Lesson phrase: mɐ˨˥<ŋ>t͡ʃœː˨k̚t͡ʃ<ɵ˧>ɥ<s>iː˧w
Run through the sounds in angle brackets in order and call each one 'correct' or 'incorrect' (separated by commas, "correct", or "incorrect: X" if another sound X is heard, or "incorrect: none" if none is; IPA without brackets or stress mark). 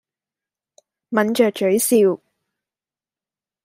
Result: incorrect: n, incorrect: ɵ˨˥, correct